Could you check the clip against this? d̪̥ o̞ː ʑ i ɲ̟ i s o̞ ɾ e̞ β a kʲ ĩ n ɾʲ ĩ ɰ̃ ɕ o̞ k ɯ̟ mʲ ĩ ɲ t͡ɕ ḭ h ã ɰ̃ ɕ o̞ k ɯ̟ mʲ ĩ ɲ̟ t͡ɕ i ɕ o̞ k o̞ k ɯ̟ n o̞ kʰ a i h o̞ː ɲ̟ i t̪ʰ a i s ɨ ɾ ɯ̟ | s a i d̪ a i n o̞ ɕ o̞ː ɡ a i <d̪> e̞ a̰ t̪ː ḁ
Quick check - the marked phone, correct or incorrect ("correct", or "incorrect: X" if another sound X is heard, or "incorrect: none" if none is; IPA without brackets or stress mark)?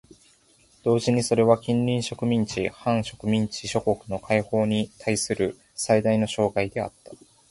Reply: correct